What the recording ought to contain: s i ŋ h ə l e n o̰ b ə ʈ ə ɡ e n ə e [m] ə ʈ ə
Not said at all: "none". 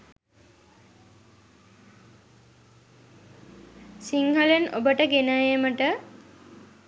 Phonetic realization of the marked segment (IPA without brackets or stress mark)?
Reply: m